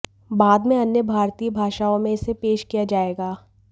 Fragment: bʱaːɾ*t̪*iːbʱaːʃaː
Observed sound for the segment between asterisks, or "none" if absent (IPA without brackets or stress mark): t̪